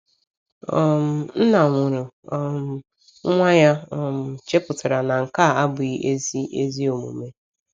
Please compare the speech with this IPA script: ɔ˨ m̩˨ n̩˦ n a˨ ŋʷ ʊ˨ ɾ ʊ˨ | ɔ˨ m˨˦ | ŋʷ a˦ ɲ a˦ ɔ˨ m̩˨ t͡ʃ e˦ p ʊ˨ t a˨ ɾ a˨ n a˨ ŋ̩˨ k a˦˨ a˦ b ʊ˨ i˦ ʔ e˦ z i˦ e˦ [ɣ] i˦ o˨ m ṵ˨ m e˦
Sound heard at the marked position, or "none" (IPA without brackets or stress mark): z